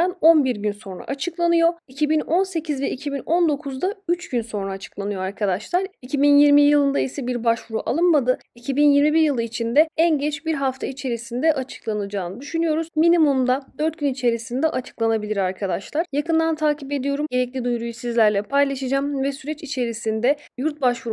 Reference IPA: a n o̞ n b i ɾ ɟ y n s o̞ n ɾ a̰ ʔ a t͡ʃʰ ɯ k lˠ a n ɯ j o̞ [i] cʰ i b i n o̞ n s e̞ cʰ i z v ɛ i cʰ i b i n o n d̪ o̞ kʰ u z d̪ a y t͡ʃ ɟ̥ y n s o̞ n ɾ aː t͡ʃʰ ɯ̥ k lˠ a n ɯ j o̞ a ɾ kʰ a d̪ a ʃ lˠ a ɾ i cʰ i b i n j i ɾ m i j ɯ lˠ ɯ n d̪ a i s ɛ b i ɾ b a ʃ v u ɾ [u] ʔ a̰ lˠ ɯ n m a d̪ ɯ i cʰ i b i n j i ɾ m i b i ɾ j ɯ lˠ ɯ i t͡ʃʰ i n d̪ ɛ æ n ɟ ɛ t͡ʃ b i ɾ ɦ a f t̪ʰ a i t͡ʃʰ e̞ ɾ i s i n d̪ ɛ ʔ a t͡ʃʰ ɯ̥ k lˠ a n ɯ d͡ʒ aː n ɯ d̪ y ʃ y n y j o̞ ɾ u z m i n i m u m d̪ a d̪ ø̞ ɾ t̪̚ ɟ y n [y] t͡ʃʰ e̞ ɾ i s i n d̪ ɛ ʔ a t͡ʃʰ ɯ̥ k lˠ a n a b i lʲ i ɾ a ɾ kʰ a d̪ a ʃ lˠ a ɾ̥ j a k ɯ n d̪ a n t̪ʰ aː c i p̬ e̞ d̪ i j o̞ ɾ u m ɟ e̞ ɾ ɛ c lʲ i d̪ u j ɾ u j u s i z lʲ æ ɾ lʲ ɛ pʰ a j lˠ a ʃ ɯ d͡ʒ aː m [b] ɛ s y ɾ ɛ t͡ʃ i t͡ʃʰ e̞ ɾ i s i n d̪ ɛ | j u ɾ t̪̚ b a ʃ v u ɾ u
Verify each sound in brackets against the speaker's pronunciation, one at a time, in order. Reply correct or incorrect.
correct, correct, incorrect, incorrect

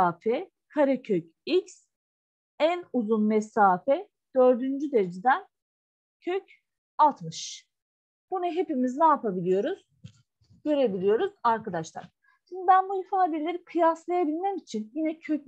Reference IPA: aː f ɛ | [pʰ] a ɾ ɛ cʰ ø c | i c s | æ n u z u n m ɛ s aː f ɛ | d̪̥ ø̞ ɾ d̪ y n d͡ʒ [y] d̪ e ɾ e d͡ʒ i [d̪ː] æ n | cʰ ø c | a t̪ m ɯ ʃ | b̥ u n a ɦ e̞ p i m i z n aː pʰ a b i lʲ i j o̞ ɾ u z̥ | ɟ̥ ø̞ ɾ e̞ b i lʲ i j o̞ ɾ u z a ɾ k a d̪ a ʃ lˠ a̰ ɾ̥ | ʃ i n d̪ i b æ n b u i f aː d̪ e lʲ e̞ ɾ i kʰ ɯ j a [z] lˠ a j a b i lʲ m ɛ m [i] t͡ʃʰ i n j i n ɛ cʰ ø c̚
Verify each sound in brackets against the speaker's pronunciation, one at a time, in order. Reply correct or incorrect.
incorrect, correct, incorrect, incorrect, correct

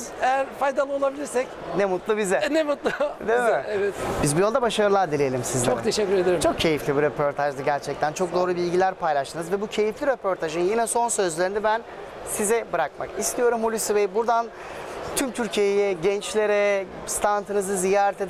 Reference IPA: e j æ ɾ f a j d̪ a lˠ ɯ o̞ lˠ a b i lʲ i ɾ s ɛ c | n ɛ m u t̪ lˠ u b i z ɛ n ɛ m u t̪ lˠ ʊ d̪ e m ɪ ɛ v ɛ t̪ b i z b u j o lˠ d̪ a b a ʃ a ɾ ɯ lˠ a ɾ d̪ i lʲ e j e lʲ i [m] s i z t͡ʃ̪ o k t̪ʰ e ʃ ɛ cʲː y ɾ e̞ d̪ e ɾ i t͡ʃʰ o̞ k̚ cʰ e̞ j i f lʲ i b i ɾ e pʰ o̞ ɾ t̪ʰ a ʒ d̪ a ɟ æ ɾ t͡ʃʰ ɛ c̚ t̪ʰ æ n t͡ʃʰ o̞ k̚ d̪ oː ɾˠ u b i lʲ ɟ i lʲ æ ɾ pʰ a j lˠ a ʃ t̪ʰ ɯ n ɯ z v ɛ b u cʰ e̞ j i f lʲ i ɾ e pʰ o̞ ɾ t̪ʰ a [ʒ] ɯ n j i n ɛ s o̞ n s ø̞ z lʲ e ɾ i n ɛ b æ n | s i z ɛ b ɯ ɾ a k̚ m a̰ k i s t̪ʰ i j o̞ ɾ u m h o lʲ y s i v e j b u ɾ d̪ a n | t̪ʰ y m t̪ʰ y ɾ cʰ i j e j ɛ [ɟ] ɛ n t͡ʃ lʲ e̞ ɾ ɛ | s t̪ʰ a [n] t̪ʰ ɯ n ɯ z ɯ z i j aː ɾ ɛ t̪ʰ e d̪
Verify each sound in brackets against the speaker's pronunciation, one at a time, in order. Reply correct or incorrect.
correct, correct, correct, correct

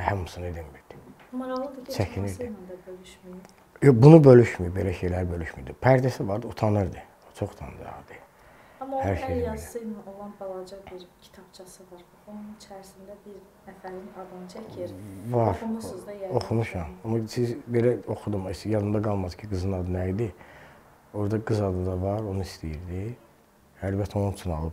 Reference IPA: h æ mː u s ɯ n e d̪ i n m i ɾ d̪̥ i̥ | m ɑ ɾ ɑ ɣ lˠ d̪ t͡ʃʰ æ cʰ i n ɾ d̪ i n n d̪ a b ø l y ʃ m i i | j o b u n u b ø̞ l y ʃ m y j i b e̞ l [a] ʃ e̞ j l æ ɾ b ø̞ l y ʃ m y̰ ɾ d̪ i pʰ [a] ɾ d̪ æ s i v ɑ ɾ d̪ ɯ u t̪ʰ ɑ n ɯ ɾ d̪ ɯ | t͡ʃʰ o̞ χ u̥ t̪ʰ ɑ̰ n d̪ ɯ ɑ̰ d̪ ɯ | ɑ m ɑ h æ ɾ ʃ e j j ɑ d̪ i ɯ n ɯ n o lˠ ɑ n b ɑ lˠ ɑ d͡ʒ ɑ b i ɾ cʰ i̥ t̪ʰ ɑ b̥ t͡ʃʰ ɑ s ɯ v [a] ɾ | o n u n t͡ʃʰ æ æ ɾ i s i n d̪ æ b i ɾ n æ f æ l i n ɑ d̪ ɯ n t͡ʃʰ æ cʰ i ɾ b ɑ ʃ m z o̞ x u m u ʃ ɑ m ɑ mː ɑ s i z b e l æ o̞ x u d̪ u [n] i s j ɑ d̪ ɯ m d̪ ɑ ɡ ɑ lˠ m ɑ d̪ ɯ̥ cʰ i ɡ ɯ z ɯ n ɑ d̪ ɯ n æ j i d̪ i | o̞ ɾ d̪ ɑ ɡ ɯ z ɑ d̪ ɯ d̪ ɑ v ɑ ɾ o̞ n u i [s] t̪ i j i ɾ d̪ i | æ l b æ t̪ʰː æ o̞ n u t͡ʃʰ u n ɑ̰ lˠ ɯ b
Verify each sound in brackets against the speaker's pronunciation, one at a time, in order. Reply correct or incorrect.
incorrect, incorrect, incorrect, incorrect, correct

